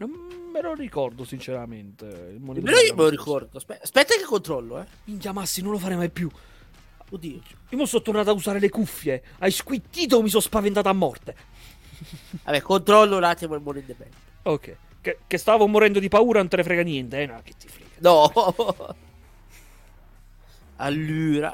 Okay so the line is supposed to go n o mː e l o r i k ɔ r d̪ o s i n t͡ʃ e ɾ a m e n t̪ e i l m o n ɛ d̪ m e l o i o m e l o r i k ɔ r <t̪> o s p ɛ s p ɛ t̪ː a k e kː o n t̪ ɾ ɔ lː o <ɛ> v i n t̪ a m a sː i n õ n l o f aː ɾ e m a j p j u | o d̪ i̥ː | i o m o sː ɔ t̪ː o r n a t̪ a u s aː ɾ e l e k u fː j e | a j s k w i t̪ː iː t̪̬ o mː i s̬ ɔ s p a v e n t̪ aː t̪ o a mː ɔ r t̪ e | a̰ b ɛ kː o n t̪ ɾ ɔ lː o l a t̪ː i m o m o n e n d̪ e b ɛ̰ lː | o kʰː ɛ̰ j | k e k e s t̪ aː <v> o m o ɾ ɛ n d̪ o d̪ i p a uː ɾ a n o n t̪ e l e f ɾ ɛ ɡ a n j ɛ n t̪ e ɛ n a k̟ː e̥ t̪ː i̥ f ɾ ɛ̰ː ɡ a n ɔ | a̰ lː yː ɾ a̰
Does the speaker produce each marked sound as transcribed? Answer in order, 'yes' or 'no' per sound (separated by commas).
no, yes, yes